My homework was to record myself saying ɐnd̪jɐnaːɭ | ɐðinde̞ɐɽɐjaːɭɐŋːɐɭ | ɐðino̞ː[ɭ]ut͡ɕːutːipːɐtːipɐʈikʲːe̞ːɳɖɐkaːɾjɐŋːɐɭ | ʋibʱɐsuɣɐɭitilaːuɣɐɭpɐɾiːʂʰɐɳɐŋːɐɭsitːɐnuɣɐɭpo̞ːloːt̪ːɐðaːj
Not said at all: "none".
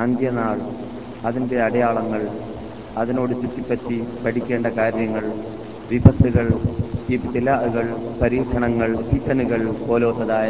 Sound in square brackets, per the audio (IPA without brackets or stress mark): ɽ